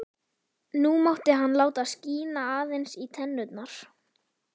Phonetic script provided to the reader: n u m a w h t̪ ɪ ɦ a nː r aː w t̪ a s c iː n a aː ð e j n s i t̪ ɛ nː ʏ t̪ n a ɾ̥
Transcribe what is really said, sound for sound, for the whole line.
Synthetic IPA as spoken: n u m a w h t̪ ɪ ɦ a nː l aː w t̪ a s c iː n a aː ð e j n s i t̪ʰ ɛ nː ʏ t̪ n a ɾ̥